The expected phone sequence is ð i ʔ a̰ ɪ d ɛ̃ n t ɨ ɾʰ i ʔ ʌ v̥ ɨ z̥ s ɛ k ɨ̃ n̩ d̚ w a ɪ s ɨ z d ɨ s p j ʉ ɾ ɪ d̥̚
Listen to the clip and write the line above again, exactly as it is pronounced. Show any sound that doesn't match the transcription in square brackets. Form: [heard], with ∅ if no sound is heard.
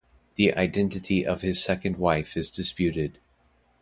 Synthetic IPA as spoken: ð i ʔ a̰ ɪ d ɛ̃ n t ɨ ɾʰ i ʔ ʌ v̥ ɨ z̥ s ɛ k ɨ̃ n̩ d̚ w a ɪ [f] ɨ z d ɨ s p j ʉ ɾ ɪ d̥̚

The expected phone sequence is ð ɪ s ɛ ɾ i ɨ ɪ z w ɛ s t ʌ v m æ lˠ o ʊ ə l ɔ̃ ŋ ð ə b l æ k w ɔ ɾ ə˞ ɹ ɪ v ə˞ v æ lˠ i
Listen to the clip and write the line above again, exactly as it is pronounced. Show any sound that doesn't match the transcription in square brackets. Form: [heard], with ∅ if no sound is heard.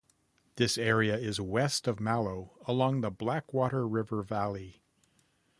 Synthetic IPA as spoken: ð ɪ s ɛ [ɹ] i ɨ ɪ z w ɛ s t ʌ v m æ lˠ o ʊ ə l ɔ̃ ŋ ð ə b l æ k w ɔ ɾ ə˞ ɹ ɪ v ə˞ v æ lˠ i

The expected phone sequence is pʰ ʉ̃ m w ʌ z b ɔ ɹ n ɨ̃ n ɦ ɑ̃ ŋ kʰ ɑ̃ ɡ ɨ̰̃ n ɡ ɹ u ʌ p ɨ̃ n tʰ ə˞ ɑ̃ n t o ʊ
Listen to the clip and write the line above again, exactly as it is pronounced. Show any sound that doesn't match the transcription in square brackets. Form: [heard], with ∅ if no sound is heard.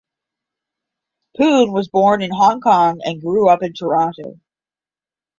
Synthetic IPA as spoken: pʰ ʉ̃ [n] w ʌ z b ɔ ɹ n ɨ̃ n ɦ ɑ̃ ŋ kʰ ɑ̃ [ŋ] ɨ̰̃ n ɡ ɹ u ʌ p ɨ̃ n tʰ ə˞ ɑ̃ n t o ʊ

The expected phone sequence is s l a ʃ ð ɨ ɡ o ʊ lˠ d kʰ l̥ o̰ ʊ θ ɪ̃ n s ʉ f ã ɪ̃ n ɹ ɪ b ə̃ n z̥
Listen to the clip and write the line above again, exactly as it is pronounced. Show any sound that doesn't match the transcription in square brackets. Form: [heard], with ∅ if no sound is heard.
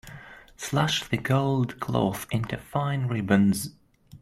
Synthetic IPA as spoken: s l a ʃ ð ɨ ɡ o ʊ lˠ d kʰ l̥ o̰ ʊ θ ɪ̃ n [t] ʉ f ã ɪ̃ n ɹ ɪ b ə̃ n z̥

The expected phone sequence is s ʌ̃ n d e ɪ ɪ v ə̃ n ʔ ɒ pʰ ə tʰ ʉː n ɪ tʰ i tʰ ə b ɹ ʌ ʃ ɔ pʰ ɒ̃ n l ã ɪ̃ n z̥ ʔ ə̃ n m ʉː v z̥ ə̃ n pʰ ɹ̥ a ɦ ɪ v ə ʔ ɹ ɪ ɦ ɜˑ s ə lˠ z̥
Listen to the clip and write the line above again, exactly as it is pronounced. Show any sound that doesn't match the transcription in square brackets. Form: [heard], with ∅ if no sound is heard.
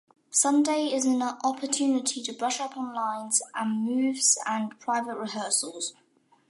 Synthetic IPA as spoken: s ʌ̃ n d e ɪ ɪ [z] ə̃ n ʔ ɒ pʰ ə tʰ ʉː n ɪ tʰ i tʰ ə b ɹ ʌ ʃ [ʌ] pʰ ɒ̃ n l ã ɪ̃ n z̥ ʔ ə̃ n m ʉː v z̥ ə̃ n pʰ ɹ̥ a [∅] ɪ v ə ʔ ɹ ɪ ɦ ɜˑ s ə lˠ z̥

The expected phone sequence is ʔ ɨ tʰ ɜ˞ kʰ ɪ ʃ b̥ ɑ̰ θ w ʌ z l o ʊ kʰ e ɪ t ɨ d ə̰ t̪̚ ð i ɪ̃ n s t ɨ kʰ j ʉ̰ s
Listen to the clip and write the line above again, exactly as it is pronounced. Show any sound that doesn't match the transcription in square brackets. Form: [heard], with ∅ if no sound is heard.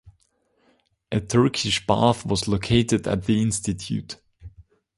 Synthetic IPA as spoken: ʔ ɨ tʰ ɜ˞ kʰ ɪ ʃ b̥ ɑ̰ θ w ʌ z l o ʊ kʰ e ɪ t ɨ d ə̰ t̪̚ ð i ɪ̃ n s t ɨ [tʰ] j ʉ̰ [t]

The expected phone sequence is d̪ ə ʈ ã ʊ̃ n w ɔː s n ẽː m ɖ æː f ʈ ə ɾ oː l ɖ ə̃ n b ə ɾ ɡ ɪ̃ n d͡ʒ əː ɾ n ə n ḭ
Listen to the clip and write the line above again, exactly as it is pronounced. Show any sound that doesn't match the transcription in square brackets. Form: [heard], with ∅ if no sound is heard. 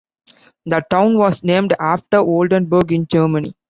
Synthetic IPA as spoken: d̪ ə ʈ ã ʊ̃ n [ʋ] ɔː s n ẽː m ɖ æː f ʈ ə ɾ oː l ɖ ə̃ n b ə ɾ ɡ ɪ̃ n d͡ʒ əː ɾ [m] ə n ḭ

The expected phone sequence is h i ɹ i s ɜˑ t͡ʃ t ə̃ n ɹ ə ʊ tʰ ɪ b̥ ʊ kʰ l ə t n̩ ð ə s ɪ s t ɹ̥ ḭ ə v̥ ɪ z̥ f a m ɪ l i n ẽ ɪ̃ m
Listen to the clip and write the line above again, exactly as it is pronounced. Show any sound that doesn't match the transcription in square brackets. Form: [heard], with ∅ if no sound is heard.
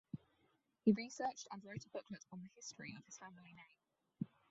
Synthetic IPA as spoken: h i ɹ i s ɜˑ t͡ʃ t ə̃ n ɹ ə ʊ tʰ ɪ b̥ ʊ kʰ l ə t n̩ ð ə [h] ɪ s t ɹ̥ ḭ ə v̥ ɪ z̥ f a m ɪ l i n ẽ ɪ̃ m

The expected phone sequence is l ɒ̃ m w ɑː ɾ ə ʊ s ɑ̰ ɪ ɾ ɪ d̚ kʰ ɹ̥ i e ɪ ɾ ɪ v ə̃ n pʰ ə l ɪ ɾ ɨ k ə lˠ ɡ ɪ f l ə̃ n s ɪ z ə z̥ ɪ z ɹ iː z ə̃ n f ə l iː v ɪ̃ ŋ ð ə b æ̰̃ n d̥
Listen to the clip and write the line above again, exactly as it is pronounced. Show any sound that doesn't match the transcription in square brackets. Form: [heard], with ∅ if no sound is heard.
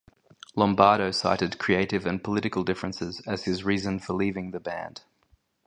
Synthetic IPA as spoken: l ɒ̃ m [b] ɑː ɾ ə ʊ s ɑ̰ ɪ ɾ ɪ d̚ kʰ ɹ̥ i e ɪ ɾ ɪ v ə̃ n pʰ ə l ɪ ɾ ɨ k ə lˠ [d] ɪ f [ɹ] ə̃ n s ɪ z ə z̥ ɪ z ɹ iː z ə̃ n f ə l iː v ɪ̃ ŋ ð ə b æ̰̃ n d̥

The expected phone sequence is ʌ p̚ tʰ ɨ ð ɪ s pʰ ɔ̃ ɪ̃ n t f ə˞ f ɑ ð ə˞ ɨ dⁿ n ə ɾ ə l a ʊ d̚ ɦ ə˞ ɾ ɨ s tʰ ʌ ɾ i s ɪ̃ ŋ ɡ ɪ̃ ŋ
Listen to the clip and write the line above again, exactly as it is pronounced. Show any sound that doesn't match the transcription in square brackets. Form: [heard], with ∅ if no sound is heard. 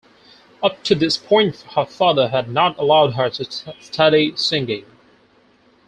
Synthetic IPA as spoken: ʌ p̚ tʰ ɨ ð ɪ s pʰ ɔ̃ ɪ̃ n t [h] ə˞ f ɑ ð ə˞ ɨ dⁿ n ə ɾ ə l a ʊ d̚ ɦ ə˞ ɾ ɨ s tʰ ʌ ɾ i s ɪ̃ ŋ ɡ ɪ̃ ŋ

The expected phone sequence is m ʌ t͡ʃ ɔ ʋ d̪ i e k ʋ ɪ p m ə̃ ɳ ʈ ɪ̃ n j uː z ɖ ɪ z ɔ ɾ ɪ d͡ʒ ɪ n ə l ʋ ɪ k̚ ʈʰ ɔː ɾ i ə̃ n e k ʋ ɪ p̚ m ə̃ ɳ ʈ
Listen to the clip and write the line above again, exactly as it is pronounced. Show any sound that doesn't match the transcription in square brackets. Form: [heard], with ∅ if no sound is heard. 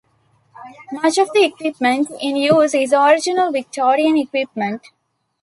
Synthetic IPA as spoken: m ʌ t͡ʃ ɔ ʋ d̪ i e k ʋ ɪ p m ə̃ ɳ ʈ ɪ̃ n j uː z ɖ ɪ z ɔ ɾ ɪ d͡ʒ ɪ n ə l ʋ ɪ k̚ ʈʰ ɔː ɾ i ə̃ n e k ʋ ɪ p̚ m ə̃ ɳ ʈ

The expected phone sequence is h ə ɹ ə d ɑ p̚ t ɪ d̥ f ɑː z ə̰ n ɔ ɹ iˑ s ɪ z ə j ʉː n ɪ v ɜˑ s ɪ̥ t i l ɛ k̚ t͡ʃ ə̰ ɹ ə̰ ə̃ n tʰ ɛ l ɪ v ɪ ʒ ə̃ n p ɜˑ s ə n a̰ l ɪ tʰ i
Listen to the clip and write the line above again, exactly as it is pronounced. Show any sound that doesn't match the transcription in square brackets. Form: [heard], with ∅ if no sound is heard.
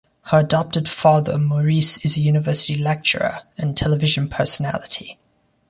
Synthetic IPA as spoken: h ə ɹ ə d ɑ p̚ t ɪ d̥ f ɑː [ð] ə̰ [m] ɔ ɹ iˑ s ɪ z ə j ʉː n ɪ v ɜˑ s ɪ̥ t i l ɛ k̚ t͡ʃ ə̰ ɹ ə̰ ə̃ n tʰ ɛ l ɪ v ɪ ʒ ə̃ n [pʰ] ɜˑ s ə n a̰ l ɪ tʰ i

